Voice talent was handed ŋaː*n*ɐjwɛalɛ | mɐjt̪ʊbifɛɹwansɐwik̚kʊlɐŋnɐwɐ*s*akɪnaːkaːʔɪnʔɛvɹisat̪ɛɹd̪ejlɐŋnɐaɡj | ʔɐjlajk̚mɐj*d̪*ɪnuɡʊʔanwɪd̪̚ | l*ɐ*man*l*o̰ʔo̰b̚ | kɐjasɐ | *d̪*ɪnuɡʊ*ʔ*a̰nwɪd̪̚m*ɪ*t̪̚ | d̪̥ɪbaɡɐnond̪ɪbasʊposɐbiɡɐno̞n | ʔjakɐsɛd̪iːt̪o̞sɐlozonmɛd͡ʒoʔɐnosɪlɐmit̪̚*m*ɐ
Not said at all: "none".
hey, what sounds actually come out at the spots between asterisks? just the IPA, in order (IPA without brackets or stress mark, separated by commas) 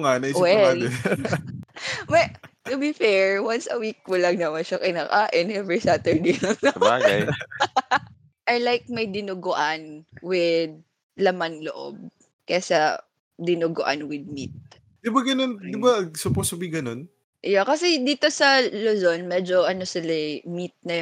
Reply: n, ʃ, d̪, ɐ, l, d̪, ʔ, i, n